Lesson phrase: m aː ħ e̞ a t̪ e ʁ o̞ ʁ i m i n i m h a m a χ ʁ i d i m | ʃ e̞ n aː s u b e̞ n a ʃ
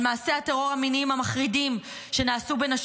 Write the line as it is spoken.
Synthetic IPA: m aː s e̞ a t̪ e ʁ o̞ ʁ a m i n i m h a m a χ ʁ i d i m | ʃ e̞ n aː s u b e̞ n a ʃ